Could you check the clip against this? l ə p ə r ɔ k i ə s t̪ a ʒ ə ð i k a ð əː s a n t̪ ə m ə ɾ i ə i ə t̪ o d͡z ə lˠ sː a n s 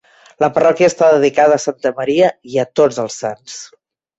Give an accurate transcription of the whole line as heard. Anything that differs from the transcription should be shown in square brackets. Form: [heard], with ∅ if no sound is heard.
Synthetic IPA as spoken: l ə p ə r ɔ k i ə s t̪ a [ð] ə ð i k a ð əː s a n t̪ ə m ə ɾ i ə i ə t̪ o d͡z ə lˠ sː a n s